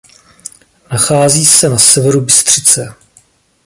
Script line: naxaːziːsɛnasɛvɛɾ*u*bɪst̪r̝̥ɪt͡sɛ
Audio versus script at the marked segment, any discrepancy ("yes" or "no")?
no